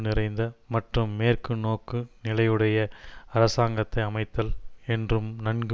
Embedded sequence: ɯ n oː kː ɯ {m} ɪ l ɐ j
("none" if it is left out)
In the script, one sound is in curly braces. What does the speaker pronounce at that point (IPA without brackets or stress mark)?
n